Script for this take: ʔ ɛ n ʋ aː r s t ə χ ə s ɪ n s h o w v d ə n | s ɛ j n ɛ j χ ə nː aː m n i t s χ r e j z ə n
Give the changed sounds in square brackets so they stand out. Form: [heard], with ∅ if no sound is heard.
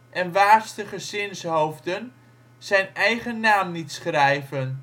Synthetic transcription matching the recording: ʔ ɛ n ʋ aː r s t ə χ ə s ɪ n s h o w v d ə n | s ɛ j n ɛ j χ ə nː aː m n i t s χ r [ɛ] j [v] ə n